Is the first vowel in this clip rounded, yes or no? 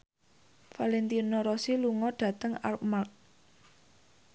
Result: no